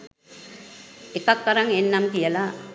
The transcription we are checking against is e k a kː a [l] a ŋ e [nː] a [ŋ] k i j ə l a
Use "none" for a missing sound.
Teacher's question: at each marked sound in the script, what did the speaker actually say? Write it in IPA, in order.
ɾ, nː, m

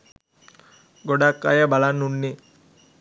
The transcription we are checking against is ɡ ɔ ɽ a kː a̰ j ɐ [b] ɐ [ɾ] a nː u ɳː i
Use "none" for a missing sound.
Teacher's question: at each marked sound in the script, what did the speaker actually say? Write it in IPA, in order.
b, l

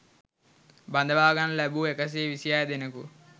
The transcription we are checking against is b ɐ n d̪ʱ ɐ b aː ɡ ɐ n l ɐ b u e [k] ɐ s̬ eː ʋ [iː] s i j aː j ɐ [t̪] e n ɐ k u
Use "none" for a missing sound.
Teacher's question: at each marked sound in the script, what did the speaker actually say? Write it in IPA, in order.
k, i, d̪

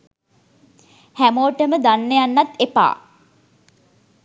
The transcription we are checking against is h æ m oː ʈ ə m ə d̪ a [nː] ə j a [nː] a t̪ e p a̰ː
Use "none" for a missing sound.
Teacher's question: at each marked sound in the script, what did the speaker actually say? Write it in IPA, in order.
nː, nː

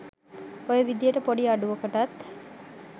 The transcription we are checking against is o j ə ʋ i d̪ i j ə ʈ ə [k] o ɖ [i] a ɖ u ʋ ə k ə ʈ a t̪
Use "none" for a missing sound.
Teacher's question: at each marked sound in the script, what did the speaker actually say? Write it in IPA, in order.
p, i

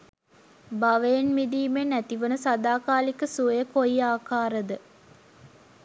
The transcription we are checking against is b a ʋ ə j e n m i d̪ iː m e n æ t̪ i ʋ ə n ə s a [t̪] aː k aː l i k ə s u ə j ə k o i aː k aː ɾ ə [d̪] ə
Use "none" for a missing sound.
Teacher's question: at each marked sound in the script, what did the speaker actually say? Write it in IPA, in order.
d̪, d̪

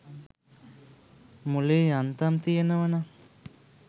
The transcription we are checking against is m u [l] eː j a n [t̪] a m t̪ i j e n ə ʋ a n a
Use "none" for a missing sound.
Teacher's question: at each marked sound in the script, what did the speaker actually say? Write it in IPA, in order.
l, t̪

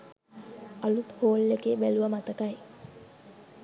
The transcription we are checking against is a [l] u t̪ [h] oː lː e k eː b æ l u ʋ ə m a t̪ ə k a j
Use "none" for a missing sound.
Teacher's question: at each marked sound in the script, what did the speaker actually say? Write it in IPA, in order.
l, h

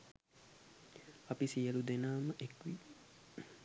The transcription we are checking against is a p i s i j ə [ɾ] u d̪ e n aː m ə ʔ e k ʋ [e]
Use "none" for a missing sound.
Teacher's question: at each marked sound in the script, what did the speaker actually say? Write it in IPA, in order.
l, i

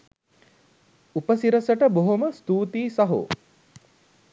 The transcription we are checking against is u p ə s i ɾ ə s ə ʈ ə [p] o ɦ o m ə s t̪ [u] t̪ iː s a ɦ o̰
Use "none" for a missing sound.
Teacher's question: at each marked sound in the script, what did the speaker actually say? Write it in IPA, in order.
b, uː

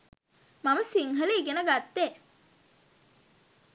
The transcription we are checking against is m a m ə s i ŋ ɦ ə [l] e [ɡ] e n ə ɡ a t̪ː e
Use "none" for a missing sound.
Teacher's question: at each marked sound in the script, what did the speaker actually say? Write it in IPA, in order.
l, ɡ

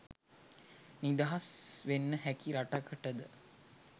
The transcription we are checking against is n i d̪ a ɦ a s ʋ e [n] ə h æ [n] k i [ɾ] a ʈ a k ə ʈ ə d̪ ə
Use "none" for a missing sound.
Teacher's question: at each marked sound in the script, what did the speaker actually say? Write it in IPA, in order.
nː, none, ɾ

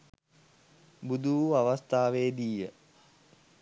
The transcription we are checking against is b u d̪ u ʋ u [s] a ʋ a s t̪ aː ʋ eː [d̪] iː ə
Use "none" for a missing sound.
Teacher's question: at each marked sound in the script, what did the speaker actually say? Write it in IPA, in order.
none, d̪

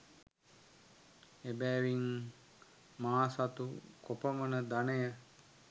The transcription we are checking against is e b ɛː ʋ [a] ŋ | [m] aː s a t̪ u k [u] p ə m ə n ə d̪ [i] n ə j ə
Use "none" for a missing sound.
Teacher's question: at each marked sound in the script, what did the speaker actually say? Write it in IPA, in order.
i, m, o, a

